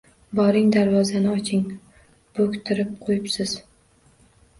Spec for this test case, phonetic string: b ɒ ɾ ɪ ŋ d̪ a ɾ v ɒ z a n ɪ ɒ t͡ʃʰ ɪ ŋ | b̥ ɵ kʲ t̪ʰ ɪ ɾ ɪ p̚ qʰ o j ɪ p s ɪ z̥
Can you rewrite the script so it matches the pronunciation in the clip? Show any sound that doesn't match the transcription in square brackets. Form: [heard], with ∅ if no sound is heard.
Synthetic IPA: b ɒ ɾ ɪ ŋ d̪ a ɾ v ɒ z a n ɪ ɒ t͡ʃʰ ɪ ŋ | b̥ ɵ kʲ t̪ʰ ɪ ɾ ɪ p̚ qʰ o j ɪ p s ɪ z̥